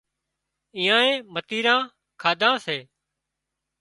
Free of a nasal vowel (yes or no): no